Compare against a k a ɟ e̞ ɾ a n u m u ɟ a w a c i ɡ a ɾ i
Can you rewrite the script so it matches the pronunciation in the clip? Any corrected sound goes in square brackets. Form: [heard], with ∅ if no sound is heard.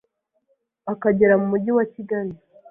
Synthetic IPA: a k a ɟ e̞ ɾ a [m] u m u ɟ [i] w a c i ɡ a ɾ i

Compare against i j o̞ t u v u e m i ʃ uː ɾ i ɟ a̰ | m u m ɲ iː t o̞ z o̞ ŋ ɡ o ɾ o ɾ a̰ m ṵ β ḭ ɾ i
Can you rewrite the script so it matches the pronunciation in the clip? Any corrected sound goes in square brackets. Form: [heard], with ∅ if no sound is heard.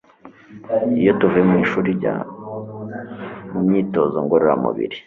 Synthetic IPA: i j o̞ t u v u e m i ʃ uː ɾ i ɟ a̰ | m u m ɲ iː t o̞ z o̞ ŋ ɡ o ɾ o ɾ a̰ m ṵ β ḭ ɾ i

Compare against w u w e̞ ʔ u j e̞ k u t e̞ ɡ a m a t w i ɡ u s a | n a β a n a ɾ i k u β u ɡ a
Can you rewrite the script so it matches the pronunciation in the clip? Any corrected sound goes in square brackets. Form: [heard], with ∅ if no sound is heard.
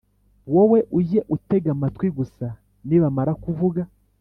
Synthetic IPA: w [o] w e̞ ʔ u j e̞ [ʔ] u t e̞ ɡ a m a t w i ɡ u s a | n [i] β a [m] a ɾ [a] k u [v] u ɡ a

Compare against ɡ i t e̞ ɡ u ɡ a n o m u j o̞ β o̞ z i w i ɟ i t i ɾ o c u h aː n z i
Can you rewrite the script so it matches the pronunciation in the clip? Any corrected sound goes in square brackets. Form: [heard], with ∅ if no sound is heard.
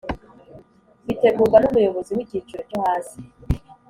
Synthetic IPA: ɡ i t e̞ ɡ u ɡ a n [u] m u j o̞ β o̞ z i w i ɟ i [t͡ʃ] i ɾ o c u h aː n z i

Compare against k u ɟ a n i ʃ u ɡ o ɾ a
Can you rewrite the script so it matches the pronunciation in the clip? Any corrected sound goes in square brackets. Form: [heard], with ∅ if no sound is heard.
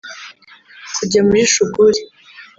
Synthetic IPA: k u ɟ a [m] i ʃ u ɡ [u] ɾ [i]

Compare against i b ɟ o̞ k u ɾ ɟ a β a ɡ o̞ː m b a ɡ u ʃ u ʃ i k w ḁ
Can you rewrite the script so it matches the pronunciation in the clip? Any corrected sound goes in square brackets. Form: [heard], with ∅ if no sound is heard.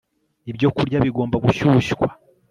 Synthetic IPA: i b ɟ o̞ k u ɾ ɟ a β [i] ɡ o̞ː m b a ɡ u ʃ u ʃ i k w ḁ

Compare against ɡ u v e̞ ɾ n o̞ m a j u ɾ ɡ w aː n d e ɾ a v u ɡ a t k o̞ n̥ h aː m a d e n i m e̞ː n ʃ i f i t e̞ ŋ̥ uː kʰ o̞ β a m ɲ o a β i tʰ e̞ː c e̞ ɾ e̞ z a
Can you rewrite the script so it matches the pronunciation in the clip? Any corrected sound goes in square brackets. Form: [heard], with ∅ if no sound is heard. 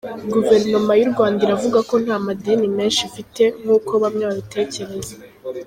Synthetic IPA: ɡ u v e̞ ɾ n o̞ m a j u ɾ ɡ w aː n d [i] ɾ a v u ɡ a [∅] k o̞ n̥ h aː m a d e n i m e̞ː n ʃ i f i t e̞ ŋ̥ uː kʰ o̞ β a m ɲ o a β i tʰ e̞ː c e̞ ɾ e̞ z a

